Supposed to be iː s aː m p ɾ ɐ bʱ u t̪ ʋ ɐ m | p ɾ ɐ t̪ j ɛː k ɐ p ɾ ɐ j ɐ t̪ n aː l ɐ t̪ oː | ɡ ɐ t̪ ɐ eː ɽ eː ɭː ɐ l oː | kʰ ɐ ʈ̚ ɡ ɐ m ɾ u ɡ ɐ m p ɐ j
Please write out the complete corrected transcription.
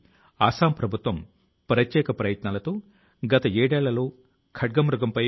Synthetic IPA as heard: aː s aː m p ɾ ɐ bʱ u t̪ ʋ ɐ m | p ɾ ɐ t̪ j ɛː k ɐ p ɾ ɐ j ɐ t̪ n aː l ɐ t̪ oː | ɡ ɐ t̪ ɐ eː ɽ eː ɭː ɐ l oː | kʰ ɐ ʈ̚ ɡ ɐ m ɾ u ɡ ɐ m p ɐ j